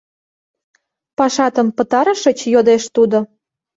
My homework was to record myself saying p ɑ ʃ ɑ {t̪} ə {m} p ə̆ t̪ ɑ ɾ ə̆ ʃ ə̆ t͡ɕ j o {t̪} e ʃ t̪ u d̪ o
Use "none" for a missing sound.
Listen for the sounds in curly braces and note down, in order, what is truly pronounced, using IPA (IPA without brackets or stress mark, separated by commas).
t̪, m, d̪